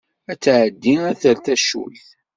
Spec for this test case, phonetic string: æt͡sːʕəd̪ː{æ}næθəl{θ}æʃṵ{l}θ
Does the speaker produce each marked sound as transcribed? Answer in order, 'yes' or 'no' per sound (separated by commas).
no, yes, yes